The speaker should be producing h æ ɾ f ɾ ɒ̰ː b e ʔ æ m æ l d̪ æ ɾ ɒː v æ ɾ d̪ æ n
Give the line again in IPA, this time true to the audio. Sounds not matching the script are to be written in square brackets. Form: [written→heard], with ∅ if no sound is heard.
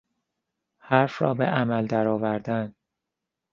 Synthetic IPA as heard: h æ ɾ f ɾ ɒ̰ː b e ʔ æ m æ l d̪ æ ɾ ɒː v æ ɾ d̪ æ n